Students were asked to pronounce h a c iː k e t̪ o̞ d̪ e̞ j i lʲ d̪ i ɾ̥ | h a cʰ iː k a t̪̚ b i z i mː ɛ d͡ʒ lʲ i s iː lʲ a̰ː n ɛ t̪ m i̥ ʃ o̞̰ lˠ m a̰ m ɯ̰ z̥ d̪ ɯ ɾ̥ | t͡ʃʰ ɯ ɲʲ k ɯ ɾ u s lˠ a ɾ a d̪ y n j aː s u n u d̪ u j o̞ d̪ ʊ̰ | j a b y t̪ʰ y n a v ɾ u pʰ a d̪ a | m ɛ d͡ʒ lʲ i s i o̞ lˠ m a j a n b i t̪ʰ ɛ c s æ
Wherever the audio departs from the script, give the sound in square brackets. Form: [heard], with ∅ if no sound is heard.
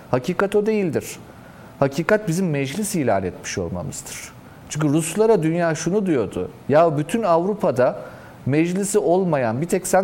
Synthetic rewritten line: h a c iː k [a] t̪ o̞ d̪ e̞ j i lʲ d̪ i ɾ̥ | h a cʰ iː k a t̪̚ b i z i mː ɛ d͡ʒ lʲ i s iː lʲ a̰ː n ɛ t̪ m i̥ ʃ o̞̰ lˠ m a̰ m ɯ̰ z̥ d̪ ɯ ɾ̥ | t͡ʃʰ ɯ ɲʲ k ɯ ɾ u s lˠ a ɾ a d̪ y n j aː [ʃ] u n u d̪ u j o̞ d̪ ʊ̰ | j a b y t̪ʰ y n a v ɾ u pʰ a d̪ a | m ɛ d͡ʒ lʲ i s i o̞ lˠ m a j a n b i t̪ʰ ɛ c s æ